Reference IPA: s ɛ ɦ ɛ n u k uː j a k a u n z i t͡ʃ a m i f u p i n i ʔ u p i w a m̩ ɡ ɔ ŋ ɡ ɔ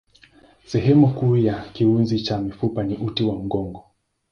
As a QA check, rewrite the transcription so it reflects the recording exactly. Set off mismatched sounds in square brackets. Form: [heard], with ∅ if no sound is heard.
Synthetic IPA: s ɛ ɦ ɛ [m] u k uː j a k [i] u n z i t͡ʃ a m i f u p [a] n i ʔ u [t] i w a m̩ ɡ ɔ ŋ ɡ ɔ